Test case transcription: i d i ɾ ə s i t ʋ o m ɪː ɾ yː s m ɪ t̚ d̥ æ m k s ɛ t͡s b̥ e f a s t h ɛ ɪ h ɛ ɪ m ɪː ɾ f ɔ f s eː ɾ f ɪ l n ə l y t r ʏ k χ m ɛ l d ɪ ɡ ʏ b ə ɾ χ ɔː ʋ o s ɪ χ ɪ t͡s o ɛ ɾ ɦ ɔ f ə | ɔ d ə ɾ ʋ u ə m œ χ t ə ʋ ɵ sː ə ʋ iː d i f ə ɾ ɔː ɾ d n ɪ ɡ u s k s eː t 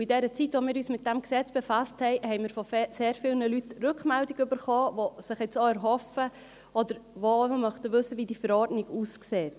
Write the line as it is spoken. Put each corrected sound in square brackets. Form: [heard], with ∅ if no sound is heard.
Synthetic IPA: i d [ɛ] ɾ ə [t͡s] i t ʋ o m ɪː ɾ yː s m ɪ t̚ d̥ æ m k s ɛ t͡s b̥ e f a s t h ɛ ɪ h ɛ ɪ m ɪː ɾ f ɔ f s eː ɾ f ɪ l n ə l y t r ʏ k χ m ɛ l d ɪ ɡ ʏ b ə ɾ χ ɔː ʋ o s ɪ χ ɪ t͡s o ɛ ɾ ɦ ɔ f ə | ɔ d ə ɾ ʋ [o] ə m œ χ t ə ʋ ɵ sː ə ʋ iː d i f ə ɾ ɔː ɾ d n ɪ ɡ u s k s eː t